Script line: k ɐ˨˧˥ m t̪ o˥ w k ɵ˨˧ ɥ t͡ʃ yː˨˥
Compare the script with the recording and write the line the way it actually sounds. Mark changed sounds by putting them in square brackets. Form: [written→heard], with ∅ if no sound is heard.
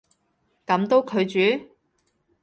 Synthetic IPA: k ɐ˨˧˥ m t̪ o˥ w [k→kʰ] ɵ˨˧ ɥ t͡ʃ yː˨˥

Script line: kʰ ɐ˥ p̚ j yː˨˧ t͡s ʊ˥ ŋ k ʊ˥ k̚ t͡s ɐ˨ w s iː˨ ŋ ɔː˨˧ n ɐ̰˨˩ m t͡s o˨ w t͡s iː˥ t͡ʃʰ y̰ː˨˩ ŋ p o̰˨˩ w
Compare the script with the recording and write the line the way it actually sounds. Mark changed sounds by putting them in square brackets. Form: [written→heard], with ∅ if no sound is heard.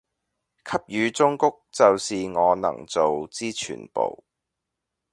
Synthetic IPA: kʰ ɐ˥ p̚ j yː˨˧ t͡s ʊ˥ ŋ k ʊ˥ k̚ t͡s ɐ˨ w s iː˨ ŋ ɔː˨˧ n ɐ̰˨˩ [m→ŋ] t͡s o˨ w t͡s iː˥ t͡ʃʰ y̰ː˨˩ [ŋ→n] p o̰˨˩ w

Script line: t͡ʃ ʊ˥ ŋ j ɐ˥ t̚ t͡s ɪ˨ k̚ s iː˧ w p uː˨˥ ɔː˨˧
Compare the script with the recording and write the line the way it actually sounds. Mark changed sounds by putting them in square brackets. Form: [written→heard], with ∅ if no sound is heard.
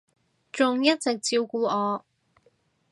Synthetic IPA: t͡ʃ [ʊ˥→ʊ˨] ŋ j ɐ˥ t̚ t͡s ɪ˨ k̚ [s→t͡s] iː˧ w [p→k] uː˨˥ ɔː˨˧

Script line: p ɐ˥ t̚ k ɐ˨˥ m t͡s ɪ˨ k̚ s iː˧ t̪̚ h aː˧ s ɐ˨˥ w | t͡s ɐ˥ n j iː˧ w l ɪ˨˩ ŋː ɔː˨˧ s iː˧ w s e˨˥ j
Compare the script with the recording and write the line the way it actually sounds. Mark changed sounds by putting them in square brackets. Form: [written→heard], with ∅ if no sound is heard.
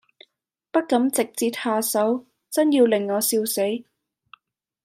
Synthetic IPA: p ɐ˥ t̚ k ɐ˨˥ m t͡s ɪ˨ k̚ [s→t͡s] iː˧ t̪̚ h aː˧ s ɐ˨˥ w | t͡s ɐ˥ n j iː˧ w l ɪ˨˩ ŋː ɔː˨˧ s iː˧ w s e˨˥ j

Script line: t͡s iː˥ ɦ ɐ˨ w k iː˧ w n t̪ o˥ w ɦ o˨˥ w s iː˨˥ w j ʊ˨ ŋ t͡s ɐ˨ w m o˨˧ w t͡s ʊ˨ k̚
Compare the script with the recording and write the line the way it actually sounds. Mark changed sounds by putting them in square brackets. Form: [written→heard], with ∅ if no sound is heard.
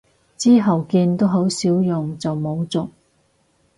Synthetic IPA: t͡s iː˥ ɦ ɐ˨ w k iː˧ [w→∅] n t̪ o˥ w ɦ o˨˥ w s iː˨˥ w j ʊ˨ ŋ t͡s ɐ˨ w m o˨˧ w t͡s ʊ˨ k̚

